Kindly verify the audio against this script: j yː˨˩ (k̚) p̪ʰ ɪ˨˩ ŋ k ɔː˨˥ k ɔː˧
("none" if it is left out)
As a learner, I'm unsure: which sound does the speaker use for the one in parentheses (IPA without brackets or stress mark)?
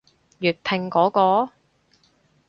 t̚